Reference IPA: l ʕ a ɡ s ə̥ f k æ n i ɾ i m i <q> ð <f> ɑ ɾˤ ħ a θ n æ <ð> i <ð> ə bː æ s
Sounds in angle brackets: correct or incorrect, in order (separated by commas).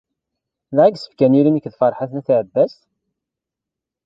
incorrect, correct, incorrect, incorrect